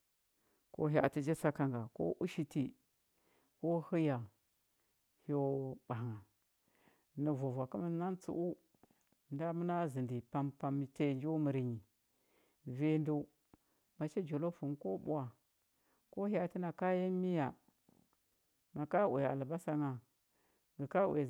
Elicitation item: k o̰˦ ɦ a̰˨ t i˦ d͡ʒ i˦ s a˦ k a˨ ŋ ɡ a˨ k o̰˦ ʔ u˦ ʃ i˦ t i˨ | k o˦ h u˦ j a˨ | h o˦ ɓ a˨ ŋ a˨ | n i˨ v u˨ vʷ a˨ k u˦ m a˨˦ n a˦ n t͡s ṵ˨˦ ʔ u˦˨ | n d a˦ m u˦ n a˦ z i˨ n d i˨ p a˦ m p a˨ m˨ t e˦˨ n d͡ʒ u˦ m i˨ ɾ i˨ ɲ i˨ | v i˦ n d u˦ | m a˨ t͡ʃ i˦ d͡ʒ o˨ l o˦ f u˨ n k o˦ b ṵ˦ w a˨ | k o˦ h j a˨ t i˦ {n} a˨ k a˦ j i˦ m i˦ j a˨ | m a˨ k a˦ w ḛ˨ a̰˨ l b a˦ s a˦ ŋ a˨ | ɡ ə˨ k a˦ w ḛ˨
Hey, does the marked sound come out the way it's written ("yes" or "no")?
yes